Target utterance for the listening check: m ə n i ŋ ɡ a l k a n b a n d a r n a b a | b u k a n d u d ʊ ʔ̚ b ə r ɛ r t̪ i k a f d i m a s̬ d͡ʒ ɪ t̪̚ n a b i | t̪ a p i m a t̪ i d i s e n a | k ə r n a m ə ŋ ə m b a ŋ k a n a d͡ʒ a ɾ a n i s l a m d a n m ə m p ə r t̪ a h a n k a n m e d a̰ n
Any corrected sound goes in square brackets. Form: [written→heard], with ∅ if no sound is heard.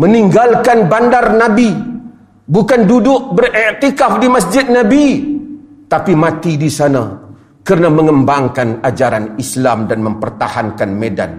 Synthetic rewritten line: m ə n i ŋ ɡ a l k a n b a n d a r n a b [a→i] | b u k a n d u d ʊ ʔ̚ b ə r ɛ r t̪ i k a f d i m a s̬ d͡ʒ ɪ t̪̚ n a b i | t̪ a p i m a t̪ i d i s [e→a] n a | k ə r n a m ə ŋ ə m b a ŋ k a n a d͡ʒ a ɾ a n i s l a m d a n m ə m p ə r t̪ a h a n k a n m e d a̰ n